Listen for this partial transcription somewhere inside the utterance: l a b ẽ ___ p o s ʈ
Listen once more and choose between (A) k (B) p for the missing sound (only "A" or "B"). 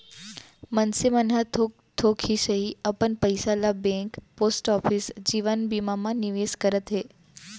A